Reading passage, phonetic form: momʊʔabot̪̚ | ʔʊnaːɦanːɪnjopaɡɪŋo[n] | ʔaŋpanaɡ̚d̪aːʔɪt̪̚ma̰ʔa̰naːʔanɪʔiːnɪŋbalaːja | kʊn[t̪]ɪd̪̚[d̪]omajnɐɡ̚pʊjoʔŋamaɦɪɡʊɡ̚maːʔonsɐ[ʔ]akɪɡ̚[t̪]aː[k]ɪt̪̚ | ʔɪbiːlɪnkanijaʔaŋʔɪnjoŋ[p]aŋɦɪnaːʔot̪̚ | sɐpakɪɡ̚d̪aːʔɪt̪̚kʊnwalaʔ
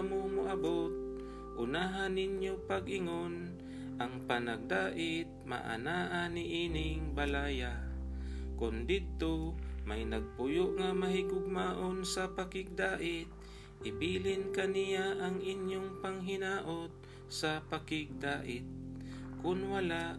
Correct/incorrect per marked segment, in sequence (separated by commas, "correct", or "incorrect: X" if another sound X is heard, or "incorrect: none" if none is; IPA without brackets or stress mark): correct, incorrect: d̪, incorrect: t̪, incorrect: p, incorrect: d̪, incorrect: ʔ, correct